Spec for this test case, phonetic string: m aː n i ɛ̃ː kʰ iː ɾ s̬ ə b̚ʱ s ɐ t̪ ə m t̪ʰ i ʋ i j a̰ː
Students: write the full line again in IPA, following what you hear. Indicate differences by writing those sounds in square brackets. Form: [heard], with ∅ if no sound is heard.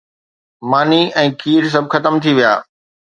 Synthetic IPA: m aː n i ɛ̃ː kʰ iː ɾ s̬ [ɐ] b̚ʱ [x] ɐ t̪ ə m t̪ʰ i ʋ i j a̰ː